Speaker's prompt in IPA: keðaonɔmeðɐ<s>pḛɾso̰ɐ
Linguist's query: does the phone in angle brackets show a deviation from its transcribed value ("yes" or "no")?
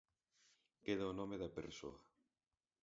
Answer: yes